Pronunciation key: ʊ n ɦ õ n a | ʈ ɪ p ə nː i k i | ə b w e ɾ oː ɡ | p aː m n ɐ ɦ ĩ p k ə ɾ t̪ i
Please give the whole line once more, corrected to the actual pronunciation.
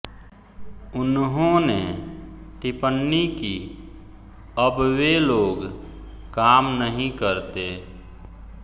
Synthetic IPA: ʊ n ɦ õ n e | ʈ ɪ p ə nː i k i | ə b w e l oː ɡ | k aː m n ə ɦ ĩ k ə ɾ t̪ e

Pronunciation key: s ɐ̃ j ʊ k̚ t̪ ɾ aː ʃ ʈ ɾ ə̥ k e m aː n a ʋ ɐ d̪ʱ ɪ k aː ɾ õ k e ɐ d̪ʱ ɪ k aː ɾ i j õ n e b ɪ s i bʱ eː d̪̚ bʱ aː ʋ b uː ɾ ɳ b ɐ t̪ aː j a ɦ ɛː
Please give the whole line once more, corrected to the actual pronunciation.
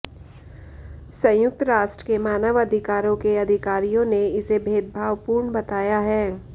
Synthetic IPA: s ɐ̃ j ʊ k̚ t̪ ɾ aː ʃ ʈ ɾ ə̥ k e m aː n ə ʋ ɐ d̪ʱ ɪ k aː ɾ õ k e ɐ d̪ʱ ɪ k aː ɾ i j õ n e ɪ s e bʱ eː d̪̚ bʱ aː ʋ p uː ɾ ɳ b ɐ t̪ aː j a ɦ ɛː

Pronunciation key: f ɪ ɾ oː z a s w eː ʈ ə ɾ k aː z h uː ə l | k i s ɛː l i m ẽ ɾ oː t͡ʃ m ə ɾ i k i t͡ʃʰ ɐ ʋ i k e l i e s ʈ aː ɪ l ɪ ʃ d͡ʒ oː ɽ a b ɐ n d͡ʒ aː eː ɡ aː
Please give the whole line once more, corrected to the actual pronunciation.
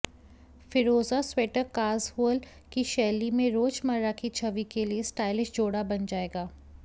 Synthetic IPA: f ɪ ɾ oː z a s w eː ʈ ə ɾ k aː z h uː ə l | k i ʃ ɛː l i m ẽ ɾ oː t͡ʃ m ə ɾ a k i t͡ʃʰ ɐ ʋ i k e l i e s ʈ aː ɪ l ɪ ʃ d͡ʒ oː ɽ a b ɐ n d͡ʒ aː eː ɡ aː

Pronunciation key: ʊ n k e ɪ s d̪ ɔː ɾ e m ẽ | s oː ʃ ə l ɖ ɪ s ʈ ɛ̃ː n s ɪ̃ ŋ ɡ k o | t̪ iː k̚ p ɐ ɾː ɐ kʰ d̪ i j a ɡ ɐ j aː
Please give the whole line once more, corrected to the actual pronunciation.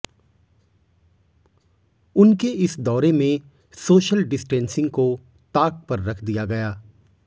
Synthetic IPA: ʊ n k e ɪ s d̪ ɔː ɾ e m ẽ | s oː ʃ ə l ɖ ɪ s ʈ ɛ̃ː n s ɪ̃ ŋ ɡ k o | t̪ aː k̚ p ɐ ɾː ɐ kʰ d̪ i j a ɡ ɐ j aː

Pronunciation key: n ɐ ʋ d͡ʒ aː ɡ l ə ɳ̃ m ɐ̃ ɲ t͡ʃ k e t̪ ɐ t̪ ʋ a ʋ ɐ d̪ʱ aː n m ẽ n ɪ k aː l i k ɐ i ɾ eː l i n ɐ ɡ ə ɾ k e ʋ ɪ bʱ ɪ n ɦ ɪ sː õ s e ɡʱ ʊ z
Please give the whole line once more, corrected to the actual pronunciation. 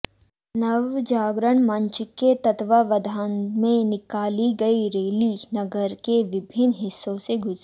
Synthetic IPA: n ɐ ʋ d͡ʒ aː ɡ ɾ ə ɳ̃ m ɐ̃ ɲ t͡ʃ k e t̪ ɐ t̪ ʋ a ʋ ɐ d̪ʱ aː n m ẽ n ɪ k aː l i ɡ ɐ i ɾ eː l i n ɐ ɡ ə ɾ k e ʋ ɪ bʱ ɪ n ɦ ɪ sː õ s e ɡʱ ʊ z

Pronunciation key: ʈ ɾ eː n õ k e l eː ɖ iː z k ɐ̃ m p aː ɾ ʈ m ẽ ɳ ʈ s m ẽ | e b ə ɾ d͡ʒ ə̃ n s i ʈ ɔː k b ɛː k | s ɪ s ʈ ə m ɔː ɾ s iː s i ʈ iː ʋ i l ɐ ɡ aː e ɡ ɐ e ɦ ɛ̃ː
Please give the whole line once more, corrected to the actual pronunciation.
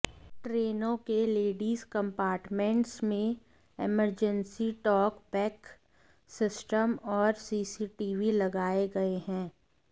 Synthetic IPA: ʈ ɾ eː n õ k e l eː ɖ iː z k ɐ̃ m p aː ɾ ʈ m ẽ ɳ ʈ s m ẽ | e m ə ɾ d͡ʒ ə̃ n s i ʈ ɔː k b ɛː k | s ɪ s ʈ ə m ɔː ɾ s iː s i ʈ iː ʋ i l ɐ ɡ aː e ɡ ɐ e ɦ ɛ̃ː

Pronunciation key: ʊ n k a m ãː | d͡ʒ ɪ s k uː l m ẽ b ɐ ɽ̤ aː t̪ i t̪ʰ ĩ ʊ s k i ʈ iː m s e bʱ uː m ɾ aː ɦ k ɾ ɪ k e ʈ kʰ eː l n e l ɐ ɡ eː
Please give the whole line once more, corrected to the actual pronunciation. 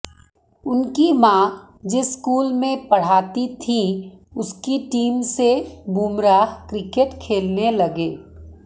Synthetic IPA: ʊ n k i m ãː | d͡ʒ ɪ s k uː l m ẽ p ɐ ɽ̤ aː t̪ i t̪ʰ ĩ ʊ s k i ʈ iː m s e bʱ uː m ɾ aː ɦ k ɾ ɪ k e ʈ kʰ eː l n e l ɐ ɡ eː

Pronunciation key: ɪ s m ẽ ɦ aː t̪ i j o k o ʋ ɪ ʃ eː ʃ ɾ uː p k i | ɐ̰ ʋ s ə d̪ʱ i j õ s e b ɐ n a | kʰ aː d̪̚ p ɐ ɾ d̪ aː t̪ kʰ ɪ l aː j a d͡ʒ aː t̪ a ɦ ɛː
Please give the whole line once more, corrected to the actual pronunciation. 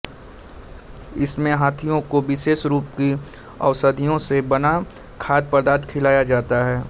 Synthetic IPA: ɪ s m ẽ ɦ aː t̪ʰ i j õ k o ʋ ɪ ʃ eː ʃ ɾ uː p k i | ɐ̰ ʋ s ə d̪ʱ i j õ s e b ɐ n a | kʰ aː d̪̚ p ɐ ɾ d̪ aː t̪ kʰ ɪ l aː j a d͡ʒ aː t̪ a ɦ ɛː

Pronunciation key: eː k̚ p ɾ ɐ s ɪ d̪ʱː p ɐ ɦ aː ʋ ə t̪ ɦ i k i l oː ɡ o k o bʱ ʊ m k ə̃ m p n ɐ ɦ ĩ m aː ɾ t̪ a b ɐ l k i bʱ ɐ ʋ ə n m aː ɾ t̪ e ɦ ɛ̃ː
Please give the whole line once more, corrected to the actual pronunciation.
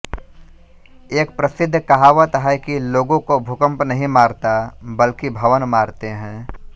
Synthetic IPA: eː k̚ p ɾ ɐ s ɪ d̪ʱː k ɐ ɦ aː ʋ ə t̪ ɦ ɛ k i l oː ɡ õ k o bʱ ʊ k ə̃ m p n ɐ ɦ ĩ m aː ɾ t̪ a b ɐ l k i bʱ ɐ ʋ ə n m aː ɾ t̪ e ɦ ɛ̃ː

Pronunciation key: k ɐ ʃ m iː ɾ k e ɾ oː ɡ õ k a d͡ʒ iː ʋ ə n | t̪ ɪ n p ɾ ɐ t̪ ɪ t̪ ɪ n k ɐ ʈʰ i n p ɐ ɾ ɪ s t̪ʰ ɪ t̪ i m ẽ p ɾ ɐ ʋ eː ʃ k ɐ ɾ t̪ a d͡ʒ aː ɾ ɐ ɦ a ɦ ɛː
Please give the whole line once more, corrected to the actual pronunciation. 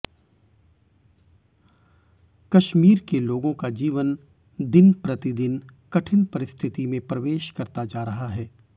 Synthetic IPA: k ɐ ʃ m iː ɾ k e l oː ɡ õ k a d͡ʒ iː ʋ ə n | d̪ ɪ n p ɾ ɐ t̪ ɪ d̪ ɪ n k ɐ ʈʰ ɪ n p ɐ ɾ ɪ s t̪ʰ ɪ t̪ i m ẽ p ɾ ɐ ʋ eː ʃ k ɐ ɾ t̪ a d͡ʒ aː ɾ ɐ ɦ a ɦ ɛː

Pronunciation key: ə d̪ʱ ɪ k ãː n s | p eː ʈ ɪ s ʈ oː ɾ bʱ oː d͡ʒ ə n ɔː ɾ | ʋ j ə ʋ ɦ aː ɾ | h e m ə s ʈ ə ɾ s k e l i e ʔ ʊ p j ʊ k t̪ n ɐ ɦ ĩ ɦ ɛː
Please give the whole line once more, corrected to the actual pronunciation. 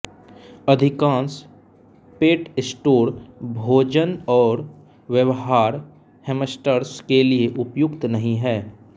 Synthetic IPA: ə d̪ʱ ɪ k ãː n s | p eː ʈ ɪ s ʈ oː ɾ bʱ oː d͡ʒ ə n ɔː ɾ | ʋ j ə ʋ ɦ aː ɾ | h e m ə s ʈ ə ɾ s k e l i e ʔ ʊ p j ʊ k t̪ n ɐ ɦ ĩ ɦ ɛː

